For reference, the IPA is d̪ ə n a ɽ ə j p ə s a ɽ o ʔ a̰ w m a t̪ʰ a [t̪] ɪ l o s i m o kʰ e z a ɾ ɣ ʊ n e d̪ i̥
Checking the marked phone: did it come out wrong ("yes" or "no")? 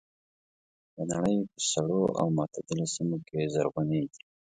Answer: yes